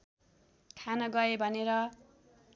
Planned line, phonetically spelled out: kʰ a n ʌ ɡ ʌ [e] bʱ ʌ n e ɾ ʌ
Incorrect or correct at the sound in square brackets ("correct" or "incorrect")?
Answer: correct